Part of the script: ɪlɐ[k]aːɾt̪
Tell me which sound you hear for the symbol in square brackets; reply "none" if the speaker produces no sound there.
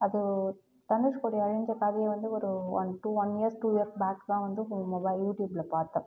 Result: p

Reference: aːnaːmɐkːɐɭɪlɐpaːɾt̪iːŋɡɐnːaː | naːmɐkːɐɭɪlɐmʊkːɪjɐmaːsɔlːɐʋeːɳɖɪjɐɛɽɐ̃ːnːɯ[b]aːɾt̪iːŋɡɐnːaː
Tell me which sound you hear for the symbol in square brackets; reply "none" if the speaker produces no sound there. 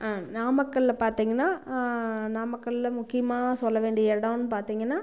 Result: p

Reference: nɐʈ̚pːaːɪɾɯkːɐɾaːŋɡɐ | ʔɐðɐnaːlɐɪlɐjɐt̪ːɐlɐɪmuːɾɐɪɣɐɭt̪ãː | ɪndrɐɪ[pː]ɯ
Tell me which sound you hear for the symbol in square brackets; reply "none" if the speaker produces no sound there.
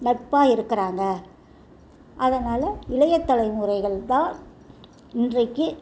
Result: kː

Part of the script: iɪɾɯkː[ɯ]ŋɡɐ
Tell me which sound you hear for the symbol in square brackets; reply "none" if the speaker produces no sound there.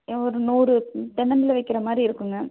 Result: ɯ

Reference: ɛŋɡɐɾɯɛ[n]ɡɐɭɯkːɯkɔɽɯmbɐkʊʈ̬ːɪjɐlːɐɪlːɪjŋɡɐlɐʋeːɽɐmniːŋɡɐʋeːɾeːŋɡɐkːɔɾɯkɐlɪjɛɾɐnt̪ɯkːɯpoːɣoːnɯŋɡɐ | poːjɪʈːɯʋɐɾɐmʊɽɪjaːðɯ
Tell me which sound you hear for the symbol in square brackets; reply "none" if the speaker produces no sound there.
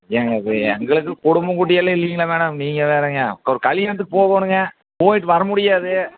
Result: ŋ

